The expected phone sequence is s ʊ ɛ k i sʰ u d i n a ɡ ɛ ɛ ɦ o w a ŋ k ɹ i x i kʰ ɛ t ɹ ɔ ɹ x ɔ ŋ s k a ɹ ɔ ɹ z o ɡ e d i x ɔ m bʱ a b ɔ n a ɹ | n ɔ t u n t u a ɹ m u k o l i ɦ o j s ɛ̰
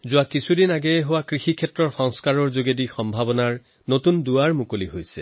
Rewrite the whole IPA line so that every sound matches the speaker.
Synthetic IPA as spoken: z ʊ a k i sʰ u d i n a ɡ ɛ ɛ ɦ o w a k ɹ i x i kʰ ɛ t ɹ ɔ ɹ x ɔ ŋ s k a ɹ ɔ ɹ z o ɡ e d i x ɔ m bʱ a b ɔ n a ɹ | n o t u n d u a ɹ m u k o l i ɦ o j s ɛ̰